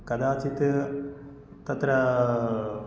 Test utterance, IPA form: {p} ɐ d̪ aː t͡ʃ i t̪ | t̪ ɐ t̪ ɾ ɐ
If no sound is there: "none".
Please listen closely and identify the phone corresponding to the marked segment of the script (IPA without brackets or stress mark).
k